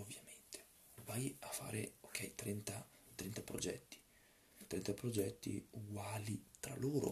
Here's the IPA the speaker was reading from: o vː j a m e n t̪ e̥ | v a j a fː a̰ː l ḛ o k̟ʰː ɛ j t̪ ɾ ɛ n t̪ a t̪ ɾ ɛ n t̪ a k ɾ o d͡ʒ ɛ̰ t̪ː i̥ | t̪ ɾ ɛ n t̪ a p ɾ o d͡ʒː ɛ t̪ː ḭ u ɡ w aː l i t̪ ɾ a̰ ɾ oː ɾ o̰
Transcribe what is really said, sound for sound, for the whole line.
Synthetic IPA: o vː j a m e n t̪ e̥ | v a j a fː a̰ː ɾ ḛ o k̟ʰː ɛ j t̪ ɾ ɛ n t̪ a t̪ ɾ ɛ n t̪ a p ɾ o d͡ʒ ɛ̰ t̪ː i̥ | t̪ ɾ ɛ n t̪ a p ɾ o d͡ʒ ɛ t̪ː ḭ u ɡ w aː l i t̪ ɾ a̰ l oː ɾ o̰